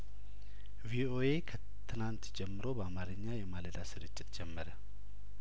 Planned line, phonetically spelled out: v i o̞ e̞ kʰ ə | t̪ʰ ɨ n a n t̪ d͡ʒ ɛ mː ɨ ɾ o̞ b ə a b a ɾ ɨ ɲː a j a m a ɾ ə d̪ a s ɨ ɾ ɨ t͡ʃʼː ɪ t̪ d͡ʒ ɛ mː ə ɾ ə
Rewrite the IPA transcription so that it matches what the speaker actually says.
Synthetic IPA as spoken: v i o̞ e̞ kʰ ə | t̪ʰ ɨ n a n t̪ d͡ʒ ɛ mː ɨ ɾ o̞ b ə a m a ɾ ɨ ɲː a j ɛ m a l ə d̪ a s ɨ ɾ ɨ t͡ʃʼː ɪ t̪ d͡ʒ ɛ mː ə ɾ ə